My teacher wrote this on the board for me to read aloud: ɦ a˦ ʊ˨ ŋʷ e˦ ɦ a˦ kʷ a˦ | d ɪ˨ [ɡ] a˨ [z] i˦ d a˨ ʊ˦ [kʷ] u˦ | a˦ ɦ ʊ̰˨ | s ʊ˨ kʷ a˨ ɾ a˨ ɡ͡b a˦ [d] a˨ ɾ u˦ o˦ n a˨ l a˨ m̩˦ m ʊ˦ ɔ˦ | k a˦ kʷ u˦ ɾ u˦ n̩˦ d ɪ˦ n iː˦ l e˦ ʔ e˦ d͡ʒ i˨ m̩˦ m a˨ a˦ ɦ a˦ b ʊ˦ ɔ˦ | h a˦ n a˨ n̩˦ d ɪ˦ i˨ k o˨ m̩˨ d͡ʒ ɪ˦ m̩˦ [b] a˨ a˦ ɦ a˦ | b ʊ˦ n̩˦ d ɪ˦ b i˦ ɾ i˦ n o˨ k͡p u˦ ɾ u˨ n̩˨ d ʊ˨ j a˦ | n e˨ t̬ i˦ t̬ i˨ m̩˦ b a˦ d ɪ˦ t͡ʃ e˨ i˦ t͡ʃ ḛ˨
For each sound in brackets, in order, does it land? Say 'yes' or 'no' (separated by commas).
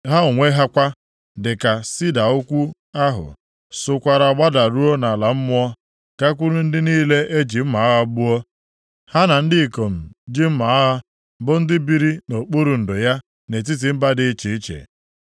no, no, yes, yes, no